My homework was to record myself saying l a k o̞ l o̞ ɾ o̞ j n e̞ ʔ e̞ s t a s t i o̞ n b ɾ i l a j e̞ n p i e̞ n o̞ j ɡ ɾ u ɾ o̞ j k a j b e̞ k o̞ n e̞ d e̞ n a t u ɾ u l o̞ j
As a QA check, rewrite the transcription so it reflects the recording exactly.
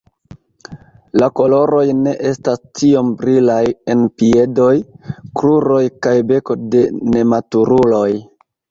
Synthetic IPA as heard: l a k o̞ l o̞ ɾ o̞ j n e̞ ʔ e̞ s t a s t i o̞ m b ɾ i l a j e̞ n p i e̞ d o̞ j k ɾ u ɾ o̞ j k a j b e̞ k o̞ d e̞ n e̞ m a t u ɾ u l o̞ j